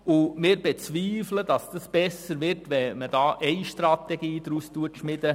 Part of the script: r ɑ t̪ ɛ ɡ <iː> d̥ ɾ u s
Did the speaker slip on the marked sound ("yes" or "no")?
no